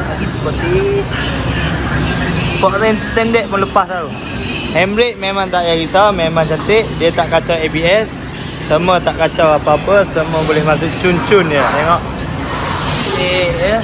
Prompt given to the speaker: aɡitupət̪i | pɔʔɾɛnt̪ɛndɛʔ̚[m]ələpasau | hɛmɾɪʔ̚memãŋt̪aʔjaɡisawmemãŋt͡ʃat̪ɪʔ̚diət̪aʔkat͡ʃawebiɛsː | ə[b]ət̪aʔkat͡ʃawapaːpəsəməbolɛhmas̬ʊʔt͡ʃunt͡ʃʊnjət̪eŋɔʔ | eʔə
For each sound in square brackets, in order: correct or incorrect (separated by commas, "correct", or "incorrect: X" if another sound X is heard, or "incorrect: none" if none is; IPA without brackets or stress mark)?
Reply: correct, incorrect: m